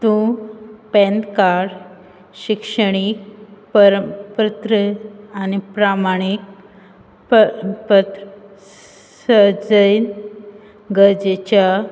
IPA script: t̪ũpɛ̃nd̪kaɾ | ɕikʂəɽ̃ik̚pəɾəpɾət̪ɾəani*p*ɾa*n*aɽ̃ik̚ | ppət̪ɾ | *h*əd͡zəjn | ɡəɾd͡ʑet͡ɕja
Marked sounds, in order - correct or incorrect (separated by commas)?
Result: correct, incorrect, incorrect